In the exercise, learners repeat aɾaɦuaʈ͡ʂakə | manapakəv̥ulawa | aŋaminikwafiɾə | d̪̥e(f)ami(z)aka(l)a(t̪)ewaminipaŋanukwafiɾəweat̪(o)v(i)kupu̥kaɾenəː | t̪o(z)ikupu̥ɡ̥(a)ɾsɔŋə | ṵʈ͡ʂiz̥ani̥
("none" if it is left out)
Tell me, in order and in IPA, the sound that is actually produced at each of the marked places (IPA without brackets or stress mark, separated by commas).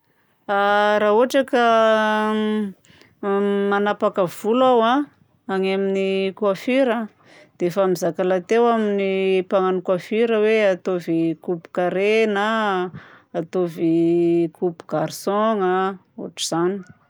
f, z, l, t̪, o, i, v, a